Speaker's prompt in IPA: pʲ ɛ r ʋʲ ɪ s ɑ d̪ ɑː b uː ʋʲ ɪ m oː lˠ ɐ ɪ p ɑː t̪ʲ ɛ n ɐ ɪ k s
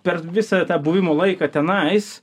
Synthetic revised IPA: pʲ ɛ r ʋʲ ɪ s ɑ t̪ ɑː b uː ʋʲ ɪ m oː lˠ ɐ ɪ k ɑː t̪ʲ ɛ n ɐ ɪ s